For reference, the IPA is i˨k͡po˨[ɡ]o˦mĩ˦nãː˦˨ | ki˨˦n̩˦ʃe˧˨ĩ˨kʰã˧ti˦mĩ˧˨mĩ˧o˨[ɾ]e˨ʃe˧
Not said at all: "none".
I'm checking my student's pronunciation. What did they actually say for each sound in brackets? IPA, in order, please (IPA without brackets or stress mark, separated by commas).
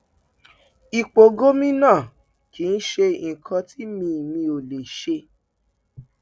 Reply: ɡ, l